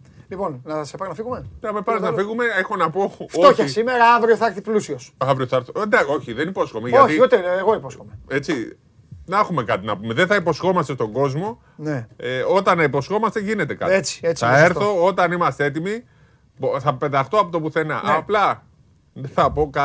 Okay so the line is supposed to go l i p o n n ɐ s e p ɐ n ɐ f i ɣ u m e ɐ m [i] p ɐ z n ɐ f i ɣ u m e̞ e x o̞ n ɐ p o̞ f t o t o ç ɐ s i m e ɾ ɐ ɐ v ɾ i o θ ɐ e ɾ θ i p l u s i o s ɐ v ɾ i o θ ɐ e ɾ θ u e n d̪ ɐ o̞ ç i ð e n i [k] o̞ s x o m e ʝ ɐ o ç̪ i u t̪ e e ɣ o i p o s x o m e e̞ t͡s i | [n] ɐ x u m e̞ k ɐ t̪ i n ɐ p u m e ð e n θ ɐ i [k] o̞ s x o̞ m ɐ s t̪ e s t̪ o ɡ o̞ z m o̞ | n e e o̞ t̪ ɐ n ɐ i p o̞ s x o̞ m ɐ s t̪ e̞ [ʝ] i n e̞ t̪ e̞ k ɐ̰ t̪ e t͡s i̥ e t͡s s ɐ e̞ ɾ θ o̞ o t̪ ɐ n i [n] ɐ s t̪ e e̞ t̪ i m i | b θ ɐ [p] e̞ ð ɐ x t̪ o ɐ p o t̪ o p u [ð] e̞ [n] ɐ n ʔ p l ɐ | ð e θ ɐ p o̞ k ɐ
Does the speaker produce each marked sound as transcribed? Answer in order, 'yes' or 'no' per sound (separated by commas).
no, no, yes, no, yes, no, yes, no, yes